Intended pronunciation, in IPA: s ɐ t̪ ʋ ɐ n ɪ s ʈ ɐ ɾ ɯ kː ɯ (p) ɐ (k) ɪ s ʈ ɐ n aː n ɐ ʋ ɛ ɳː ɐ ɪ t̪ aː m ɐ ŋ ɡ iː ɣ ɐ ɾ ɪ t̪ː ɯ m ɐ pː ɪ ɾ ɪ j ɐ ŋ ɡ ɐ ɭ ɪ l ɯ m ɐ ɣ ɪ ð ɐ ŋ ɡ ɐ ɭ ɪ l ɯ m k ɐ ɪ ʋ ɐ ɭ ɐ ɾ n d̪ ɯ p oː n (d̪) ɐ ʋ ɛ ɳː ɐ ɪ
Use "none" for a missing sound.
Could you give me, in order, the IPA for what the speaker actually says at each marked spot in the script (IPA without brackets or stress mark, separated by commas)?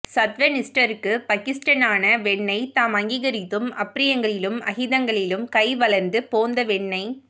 p, k, d̪